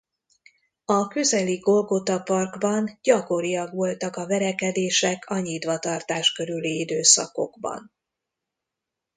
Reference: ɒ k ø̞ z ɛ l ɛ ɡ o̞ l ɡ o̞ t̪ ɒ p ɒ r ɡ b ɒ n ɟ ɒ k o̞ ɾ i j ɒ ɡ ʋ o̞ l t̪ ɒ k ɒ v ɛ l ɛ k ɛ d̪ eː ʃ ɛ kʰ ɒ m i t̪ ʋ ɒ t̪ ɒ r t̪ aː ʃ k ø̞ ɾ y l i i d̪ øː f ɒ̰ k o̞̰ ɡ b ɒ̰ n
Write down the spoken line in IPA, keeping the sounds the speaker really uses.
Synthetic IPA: ɒ k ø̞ z ɛ l i ɡ o̞ l ɡ o̞ t̪ ɒ p ɒ r ɡ b ɒ n ɟ ɒ k o̞ ɾ i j ɒ ɡ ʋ o̞ l t̪ ɒ k ɒ v ɛ ɾ ɛ k ɛ d̪ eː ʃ ɛ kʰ ɒ ɲ i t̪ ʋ ɒ t̪ ɒ r t̪ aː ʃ k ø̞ ɾ y l i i d̪ øː s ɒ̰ k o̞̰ ɡ b ɒ̰ n